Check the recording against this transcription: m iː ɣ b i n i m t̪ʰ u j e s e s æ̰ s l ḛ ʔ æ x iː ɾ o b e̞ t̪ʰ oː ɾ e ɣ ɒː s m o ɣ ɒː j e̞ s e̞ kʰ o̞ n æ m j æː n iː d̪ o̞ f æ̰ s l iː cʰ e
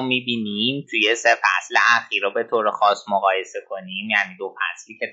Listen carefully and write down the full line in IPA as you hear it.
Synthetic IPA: m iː b i n i m t̪ʰ u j e s e f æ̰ s l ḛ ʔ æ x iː ɾ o b e̞ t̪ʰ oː ɾ e x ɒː s m o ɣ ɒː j e̞ s e̞ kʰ o̞ n i m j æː n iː d̪ o̞ f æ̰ s l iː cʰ e